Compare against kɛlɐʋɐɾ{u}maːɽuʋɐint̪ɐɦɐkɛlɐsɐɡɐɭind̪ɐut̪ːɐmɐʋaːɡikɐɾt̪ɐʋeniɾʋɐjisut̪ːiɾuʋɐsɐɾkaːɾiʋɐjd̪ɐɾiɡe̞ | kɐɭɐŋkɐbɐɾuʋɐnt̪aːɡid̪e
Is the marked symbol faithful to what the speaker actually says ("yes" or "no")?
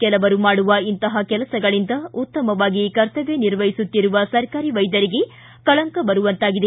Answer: yes